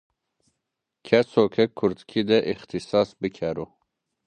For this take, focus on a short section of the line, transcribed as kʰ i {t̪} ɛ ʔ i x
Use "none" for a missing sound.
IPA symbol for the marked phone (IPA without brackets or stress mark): d̪